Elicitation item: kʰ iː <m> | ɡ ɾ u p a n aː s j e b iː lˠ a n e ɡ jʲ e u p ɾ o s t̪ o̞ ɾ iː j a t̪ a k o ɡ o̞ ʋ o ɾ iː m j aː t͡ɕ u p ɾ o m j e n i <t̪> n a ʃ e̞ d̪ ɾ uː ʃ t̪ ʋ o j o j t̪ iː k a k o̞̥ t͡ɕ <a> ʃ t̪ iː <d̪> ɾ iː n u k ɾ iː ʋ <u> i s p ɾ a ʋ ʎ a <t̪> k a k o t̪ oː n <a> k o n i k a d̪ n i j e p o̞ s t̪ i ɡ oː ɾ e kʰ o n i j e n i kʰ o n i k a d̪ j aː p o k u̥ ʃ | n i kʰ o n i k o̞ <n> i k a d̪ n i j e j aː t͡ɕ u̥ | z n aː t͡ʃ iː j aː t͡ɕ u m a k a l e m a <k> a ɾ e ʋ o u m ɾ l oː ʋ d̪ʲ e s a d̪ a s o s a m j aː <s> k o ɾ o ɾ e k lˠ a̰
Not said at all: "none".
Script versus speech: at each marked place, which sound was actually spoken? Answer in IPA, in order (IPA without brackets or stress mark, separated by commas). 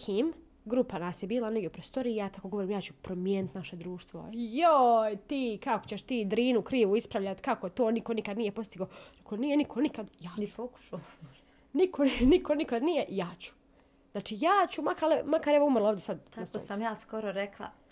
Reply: m, t̪, e, d̪, u, t̪, i, n, k, s